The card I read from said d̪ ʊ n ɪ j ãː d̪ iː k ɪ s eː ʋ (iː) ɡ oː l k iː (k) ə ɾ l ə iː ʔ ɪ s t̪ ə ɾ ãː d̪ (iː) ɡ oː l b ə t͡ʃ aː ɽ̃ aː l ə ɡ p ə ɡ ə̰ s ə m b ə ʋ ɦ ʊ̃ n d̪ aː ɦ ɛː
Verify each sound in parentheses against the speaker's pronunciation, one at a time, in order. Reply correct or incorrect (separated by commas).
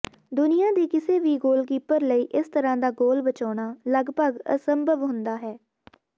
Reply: correct, incorrect, incorrect